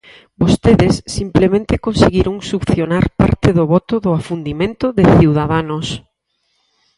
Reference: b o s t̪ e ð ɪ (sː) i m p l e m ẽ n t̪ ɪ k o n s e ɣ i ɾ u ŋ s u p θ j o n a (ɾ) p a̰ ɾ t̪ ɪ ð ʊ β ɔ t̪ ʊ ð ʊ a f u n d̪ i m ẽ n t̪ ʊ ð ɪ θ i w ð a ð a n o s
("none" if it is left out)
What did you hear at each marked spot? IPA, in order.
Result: sː, ɾ

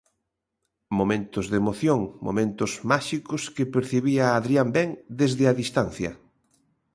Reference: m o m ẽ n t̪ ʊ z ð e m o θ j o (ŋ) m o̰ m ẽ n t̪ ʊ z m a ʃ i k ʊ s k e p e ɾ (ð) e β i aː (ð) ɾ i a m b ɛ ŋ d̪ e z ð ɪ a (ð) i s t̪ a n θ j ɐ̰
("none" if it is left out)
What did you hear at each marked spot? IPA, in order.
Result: ŋ, θ, ð, ð

